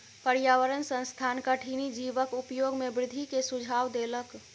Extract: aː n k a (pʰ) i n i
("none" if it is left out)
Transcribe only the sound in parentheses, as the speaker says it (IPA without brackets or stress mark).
ʈʰ